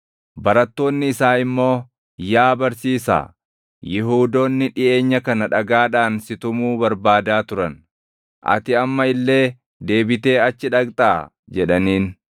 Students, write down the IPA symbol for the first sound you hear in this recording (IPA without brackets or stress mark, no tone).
b